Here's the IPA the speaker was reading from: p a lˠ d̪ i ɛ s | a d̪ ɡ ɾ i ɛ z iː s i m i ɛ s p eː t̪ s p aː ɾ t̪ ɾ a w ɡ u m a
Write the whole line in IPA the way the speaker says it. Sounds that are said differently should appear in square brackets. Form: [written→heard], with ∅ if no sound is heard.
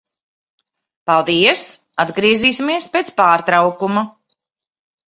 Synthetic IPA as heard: p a lˠ d̪ i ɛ s | a d̪ ɡ ɾ i ɛ z iː s i m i ɛ s p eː t̪ s p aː ɾ t̪ ɾ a w [ɡ→k] u m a

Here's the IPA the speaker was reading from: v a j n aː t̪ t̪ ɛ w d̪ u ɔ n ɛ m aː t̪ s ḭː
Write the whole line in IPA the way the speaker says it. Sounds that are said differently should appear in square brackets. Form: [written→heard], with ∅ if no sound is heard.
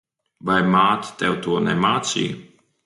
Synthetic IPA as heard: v a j [n→m] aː t̪ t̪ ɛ w [d̪→t̪] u ɔ n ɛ m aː t̪ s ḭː

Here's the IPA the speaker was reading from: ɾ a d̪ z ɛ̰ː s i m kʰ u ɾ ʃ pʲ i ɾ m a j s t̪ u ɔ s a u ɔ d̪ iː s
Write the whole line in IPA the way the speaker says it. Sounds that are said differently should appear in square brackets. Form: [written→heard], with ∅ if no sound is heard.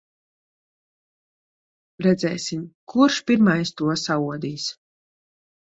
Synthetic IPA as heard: ɾ [a→ɛ] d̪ z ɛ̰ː s i m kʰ u ɾ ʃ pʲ i ɾ m a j s t̪ u ɔ s a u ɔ d̪ iː s

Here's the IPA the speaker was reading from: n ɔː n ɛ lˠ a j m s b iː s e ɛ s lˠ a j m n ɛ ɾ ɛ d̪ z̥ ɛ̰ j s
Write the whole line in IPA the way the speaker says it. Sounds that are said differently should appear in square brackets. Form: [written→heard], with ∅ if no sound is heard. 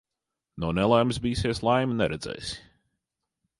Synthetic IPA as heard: n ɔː n ɛ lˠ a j m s b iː s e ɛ s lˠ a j m n ɛ ɾ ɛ d̪ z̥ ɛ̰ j s

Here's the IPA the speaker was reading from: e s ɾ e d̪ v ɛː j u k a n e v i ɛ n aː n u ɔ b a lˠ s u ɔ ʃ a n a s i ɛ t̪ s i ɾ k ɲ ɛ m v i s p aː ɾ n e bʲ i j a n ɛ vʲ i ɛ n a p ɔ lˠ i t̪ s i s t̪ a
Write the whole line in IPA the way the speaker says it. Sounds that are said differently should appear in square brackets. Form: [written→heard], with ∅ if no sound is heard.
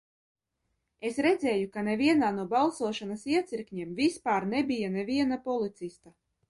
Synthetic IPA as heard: e s ɾ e d̪ [v→z] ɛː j u k a n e v i ɛ n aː n u ɔ b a lˠ s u ɔ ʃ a n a s i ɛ t̪ s i ɾ k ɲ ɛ m v i s p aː ɾ n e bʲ i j a n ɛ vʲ i ɛ n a p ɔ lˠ i t̪ s i s t̪ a

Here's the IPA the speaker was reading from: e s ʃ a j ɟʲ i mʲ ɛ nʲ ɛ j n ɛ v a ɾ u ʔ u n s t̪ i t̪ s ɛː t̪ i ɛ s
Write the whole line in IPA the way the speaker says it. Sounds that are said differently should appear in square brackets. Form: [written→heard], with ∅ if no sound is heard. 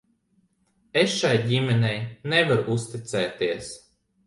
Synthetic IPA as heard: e s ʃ a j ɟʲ i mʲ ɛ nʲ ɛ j n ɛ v a ɾ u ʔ u [n→∅] s t̪ i t̪ s ɛː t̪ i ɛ s

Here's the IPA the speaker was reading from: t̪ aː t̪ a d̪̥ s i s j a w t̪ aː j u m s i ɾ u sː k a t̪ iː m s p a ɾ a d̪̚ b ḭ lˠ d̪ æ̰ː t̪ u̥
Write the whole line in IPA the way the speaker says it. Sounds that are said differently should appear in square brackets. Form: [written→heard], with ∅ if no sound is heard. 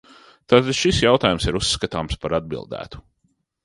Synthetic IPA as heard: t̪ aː t̪ a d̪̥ [s→ʃ] i s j a w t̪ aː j u m s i ɾ u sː k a t̪ [iː→aː] m s p a ɾ a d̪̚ b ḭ lˠ d̪ æ̰ː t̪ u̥

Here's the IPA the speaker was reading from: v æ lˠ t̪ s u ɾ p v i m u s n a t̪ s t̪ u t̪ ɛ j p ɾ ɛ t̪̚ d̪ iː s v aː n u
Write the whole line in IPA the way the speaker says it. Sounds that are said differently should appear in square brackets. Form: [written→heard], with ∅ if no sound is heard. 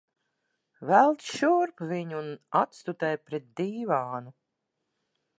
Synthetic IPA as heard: v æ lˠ t̪ [s→ʃ] u ɾ p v i [m→ɲ] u [s→∅] n a t̪ s t̪ u t̪ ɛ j p ɾ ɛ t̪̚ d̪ iː [s→∅] v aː n u

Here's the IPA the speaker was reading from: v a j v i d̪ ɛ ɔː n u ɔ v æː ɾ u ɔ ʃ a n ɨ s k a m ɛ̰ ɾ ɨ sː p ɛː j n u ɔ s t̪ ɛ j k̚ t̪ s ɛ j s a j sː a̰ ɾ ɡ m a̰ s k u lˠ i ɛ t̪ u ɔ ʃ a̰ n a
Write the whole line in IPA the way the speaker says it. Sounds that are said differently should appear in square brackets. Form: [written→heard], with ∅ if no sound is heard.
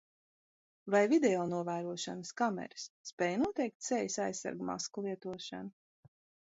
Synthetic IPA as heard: v a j v i d̪ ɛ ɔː n u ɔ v æː ɾ u ɔ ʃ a n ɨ s k a m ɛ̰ ɾ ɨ sː p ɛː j n u ɔ [s→∅] t̪ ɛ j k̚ t̪ s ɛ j s a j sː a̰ ɾ ɡ m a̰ s k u lˠ i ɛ t̪ u ɔ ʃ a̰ n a

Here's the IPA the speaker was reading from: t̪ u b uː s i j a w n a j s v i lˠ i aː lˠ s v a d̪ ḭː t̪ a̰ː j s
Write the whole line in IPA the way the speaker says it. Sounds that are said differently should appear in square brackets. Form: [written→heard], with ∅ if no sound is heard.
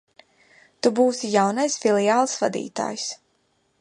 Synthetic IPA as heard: t̪ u b uː s i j a w n a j s [v→f] i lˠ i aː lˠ s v a d̪ ḭː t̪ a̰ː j s

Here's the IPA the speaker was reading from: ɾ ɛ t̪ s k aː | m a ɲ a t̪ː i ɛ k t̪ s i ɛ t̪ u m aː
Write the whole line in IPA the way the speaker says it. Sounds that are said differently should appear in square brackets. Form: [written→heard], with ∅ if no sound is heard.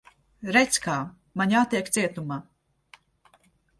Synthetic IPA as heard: ɾ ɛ t̪ s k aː | m a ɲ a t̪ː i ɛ k t̪ s i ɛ t̪ u m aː

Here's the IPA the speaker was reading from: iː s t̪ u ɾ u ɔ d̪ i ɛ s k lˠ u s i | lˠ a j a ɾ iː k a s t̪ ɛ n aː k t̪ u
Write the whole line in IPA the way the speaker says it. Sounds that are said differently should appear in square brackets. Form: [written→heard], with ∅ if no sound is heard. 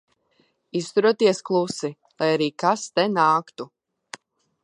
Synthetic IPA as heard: [iː→i] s t̪ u ɾ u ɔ [d̪→t̪] i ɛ s k lˠ u s i | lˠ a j a ɾ iː k a s t̪ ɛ n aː k t̪ u

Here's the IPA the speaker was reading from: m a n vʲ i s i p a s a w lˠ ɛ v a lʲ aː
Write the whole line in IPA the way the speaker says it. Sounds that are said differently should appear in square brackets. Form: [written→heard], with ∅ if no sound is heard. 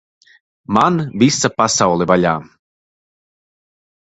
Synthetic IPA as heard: m a n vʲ i s [i→a] p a s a w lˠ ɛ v a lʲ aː

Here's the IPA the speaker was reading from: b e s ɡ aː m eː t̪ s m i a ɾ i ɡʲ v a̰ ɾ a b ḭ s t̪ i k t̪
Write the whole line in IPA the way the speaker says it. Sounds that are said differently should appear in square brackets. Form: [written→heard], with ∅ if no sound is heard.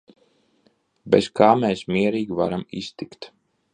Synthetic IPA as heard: b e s [ɡ→k] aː m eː [t̪→∅] s m i [a→ɛ] ɾ [i→iː] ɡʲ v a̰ ɾ a [b→m] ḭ s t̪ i k t̪

